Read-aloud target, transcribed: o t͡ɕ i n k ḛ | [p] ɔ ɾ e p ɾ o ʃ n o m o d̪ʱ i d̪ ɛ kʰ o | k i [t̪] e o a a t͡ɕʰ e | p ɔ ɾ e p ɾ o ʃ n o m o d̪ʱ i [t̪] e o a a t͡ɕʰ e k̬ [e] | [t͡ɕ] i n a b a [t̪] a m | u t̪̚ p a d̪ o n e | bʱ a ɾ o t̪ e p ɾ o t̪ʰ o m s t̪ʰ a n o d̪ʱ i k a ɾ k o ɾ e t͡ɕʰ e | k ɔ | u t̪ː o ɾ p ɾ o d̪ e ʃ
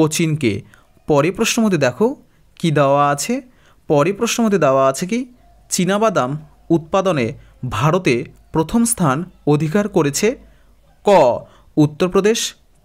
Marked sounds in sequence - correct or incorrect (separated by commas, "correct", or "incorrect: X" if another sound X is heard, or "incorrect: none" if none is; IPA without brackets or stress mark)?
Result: correct, incorrect: d̪, incorrect: d̪, incorrect: i, correct, incorrect: d̪